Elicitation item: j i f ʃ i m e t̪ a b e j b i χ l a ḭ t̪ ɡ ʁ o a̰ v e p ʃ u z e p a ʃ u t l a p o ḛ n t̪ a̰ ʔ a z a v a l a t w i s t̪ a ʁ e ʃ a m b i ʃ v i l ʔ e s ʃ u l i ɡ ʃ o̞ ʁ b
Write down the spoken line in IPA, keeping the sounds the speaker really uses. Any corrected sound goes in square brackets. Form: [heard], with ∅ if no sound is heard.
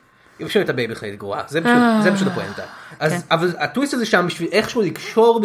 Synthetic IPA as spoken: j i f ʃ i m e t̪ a b e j b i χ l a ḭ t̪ ɡ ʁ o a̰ [z] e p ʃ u z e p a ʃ u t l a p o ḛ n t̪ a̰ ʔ a z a v a l a t w i s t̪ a [z] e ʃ a m b i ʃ v i l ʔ e [χ] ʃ u l i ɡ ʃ o̞ ʁ b